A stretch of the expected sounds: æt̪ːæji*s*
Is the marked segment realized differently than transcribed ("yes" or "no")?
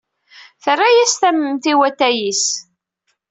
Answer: no